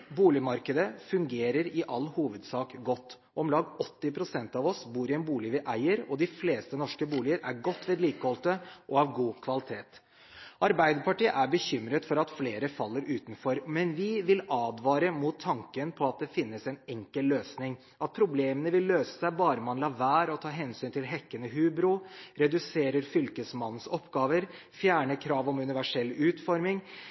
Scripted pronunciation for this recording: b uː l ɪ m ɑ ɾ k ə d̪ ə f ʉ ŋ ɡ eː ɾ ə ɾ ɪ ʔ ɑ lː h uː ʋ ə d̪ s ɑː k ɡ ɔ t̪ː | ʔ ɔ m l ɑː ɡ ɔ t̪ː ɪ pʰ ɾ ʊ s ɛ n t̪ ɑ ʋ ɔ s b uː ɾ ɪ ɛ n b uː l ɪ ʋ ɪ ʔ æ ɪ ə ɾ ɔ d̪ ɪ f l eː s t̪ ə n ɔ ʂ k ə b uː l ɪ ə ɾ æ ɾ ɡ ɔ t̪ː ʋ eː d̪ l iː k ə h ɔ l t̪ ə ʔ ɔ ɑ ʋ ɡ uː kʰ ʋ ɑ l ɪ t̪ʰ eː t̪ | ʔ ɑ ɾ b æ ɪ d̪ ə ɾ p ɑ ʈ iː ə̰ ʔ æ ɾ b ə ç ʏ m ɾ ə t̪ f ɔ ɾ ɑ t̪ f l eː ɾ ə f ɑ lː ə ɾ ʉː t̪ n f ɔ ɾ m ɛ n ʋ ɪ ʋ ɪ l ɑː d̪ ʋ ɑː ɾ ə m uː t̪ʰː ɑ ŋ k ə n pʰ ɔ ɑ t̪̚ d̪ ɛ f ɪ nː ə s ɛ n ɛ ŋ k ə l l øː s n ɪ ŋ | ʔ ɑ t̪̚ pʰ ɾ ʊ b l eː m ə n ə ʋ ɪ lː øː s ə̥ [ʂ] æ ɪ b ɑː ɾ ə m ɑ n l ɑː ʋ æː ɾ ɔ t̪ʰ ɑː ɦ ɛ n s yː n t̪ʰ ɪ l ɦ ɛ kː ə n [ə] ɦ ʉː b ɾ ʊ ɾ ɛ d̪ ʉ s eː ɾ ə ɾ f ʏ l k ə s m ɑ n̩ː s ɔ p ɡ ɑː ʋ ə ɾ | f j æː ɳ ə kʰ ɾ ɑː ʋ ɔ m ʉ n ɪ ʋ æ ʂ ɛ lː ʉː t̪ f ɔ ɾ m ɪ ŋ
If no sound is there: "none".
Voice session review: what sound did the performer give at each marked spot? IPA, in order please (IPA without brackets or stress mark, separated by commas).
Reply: s, ə